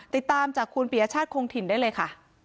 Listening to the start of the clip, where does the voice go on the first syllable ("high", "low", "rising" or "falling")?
low